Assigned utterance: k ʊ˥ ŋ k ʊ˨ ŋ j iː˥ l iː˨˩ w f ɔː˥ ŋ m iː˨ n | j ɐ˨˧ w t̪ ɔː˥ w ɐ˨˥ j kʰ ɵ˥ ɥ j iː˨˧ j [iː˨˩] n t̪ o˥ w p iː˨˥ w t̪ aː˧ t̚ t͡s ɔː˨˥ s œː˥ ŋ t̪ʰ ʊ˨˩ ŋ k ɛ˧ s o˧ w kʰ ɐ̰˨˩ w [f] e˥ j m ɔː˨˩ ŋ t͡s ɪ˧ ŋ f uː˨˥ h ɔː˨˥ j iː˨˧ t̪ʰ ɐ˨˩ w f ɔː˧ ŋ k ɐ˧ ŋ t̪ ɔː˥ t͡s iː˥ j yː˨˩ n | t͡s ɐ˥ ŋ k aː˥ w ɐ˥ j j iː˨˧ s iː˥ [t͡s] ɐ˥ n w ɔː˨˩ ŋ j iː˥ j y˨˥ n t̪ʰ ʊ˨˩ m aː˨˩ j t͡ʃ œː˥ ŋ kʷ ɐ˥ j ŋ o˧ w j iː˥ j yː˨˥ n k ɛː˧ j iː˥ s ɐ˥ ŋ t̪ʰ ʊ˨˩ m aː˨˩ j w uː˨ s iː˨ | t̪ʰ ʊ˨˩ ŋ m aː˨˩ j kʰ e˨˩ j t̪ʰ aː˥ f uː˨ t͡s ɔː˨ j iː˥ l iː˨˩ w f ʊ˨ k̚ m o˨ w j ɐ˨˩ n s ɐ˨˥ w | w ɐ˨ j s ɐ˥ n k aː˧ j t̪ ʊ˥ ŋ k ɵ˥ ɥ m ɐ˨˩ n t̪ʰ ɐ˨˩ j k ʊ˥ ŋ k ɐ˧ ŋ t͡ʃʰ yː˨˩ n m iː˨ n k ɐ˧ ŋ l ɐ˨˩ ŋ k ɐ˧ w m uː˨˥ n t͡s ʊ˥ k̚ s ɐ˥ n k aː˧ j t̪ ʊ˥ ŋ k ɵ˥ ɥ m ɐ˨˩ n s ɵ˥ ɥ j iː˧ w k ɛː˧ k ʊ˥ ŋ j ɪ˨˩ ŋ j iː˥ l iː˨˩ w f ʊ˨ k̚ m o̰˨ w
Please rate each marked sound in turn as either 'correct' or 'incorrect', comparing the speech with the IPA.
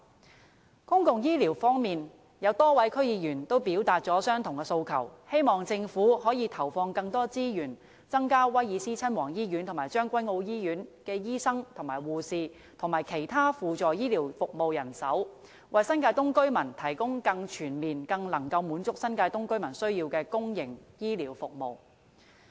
incorrect: yː˨˩, incorrect: h, incorrect: t͡sʰ

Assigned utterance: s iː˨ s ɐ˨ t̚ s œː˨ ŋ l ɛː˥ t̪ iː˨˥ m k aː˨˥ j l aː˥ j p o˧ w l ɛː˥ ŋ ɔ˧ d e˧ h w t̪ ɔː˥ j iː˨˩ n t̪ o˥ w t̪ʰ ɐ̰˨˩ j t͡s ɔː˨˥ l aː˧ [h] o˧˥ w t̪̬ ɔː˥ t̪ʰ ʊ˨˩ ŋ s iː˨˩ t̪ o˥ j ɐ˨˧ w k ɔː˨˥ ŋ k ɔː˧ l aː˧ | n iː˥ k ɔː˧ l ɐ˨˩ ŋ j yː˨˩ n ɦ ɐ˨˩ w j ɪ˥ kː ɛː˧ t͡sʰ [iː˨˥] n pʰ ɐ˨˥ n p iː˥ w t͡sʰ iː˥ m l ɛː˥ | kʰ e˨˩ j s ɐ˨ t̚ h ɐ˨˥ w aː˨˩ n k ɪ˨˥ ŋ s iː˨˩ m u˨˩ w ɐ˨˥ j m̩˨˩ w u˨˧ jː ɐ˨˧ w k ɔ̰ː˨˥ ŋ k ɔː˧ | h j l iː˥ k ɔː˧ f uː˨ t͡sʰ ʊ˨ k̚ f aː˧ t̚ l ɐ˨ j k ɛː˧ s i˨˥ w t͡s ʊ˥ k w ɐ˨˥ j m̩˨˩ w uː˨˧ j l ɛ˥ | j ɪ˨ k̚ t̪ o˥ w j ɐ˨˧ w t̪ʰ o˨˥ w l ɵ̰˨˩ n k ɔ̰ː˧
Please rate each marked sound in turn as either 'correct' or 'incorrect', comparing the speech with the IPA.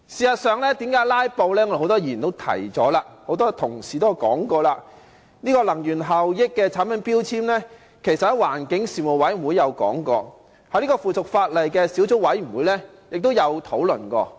correct, incorrect: aː˨˥

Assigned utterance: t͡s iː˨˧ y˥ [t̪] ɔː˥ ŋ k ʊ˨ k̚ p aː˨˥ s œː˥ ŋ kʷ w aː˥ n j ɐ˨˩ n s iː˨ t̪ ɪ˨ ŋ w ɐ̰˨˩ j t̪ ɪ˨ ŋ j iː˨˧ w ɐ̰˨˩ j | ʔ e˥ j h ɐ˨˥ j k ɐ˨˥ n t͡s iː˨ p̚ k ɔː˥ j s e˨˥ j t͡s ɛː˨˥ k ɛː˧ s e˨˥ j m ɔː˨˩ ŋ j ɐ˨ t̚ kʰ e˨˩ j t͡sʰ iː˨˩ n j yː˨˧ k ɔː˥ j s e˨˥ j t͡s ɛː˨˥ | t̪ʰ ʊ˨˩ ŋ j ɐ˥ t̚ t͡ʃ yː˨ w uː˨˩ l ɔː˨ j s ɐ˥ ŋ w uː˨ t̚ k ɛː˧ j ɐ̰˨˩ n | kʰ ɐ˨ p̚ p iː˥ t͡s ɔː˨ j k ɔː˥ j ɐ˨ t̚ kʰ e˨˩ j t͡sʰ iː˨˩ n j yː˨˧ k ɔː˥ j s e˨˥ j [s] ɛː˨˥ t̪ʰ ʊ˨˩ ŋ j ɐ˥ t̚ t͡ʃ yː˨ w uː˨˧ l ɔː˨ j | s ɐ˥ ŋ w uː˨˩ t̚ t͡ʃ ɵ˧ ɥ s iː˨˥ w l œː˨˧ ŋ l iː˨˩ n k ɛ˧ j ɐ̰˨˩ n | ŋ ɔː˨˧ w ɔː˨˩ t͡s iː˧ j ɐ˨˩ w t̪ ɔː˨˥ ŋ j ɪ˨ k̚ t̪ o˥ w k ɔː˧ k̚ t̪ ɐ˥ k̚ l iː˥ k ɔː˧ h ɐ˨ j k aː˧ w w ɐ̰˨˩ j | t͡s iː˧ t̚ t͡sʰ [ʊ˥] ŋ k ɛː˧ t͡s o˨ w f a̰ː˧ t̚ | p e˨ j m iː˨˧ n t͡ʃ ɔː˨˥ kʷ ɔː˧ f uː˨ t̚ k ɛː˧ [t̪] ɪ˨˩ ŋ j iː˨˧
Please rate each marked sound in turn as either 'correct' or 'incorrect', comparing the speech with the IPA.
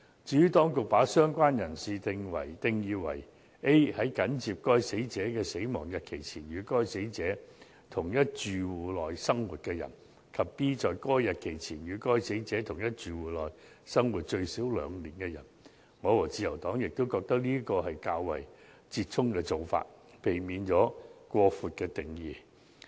correct, incorrect: t͡s, correct, correct

